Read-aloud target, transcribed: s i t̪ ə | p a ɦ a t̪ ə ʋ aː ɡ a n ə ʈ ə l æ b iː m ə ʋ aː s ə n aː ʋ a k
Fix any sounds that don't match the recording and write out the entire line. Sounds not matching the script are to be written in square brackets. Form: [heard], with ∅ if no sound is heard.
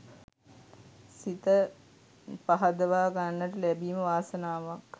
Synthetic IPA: s i t̪ ə | p a ɦ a [d̪] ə ʋ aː ɡ a [nː] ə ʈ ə l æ b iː m ə ʋ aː s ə n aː ʋ a k